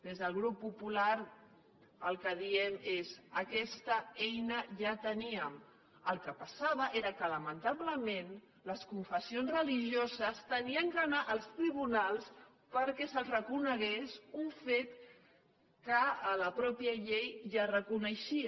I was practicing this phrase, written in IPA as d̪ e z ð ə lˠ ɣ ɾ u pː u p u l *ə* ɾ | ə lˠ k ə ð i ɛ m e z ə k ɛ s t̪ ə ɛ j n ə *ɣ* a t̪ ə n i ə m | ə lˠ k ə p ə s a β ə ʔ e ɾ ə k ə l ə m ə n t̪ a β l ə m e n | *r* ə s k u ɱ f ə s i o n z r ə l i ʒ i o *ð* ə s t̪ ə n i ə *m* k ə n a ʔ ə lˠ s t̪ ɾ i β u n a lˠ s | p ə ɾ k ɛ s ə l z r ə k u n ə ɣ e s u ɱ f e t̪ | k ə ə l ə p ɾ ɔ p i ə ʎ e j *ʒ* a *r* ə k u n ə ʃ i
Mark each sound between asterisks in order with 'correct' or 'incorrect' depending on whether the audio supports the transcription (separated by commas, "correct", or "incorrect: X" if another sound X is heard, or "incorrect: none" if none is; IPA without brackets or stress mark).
incorrect: a, incorrect: ʒ, incorrect: l, incorrect: z, incorrect: ŋ, correct, correct